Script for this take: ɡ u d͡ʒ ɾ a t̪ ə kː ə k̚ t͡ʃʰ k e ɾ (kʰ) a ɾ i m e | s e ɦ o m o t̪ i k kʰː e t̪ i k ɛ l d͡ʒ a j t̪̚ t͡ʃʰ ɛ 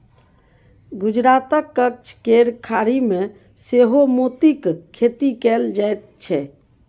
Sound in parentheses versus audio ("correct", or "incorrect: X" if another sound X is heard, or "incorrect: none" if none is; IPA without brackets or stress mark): correct